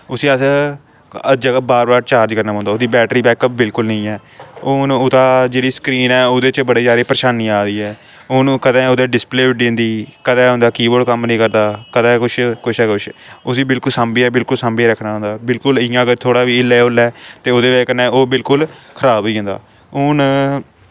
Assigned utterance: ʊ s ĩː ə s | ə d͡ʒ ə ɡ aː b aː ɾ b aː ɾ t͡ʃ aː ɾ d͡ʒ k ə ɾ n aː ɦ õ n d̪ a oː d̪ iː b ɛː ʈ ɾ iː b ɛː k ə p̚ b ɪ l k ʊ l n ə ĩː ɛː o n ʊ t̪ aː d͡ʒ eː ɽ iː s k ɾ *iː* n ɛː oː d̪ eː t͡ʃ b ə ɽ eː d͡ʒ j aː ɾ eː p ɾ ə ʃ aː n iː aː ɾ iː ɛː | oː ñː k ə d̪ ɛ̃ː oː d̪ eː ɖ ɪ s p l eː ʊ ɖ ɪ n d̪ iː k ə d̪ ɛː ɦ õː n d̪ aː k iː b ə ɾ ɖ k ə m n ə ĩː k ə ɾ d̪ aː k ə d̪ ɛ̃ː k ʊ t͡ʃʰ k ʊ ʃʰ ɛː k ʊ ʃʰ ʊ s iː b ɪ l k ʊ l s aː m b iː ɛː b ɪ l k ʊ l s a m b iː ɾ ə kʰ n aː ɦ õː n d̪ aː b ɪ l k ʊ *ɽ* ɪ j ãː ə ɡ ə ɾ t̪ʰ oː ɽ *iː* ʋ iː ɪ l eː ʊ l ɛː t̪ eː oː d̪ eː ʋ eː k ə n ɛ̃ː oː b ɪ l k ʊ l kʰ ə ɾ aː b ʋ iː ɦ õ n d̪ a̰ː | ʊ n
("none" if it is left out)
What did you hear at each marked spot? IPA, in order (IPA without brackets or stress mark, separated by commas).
iː, l, aː